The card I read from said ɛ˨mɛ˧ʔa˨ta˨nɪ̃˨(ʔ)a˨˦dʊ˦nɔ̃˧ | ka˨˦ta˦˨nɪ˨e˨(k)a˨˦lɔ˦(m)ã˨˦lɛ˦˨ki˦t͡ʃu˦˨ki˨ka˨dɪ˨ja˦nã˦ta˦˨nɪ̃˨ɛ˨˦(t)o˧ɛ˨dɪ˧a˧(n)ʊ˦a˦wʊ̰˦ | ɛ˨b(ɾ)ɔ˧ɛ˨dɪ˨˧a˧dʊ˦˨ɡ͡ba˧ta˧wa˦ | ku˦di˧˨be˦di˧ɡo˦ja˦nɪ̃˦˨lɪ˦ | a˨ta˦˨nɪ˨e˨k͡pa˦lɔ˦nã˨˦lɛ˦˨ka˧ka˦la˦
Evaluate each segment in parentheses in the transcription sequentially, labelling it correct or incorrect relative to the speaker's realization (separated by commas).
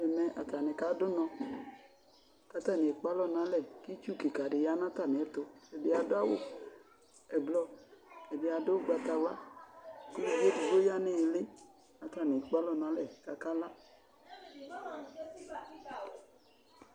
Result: incorrect, incorrect, incorrect, correct, incorrect, incorrect